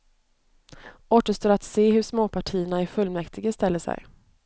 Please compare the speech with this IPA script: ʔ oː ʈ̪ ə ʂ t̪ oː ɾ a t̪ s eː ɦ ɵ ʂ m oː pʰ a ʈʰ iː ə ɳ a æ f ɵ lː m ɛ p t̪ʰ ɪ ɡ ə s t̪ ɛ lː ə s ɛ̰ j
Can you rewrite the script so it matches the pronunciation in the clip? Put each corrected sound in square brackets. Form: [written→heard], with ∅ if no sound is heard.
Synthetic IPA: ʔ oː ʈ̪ ə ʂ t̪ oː ɾ a t̪ s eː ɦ ɵ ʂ m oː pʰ a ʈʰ iː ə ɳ a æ f ɵ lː m ɛ [p→k] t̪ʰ ɪ ɡ ə s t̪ ɛ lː ə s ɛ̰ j